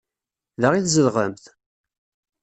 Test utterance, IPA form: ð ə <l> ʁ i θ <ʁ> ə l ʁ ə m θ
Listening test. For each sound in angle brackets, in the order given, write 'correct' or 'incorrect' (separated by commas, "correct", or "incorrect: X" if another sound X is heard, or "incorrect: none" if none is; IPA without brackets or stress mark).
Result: incorrect: none, incorrect: z